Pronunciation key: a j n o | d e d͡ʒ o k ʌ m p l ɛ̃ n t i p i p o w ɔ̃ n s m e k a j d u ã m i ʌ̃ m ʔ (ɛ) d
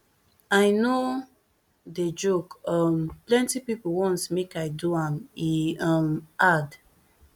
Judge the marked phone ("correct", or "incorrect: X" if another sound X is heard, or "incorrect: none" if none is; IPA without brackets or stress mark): incorrect: a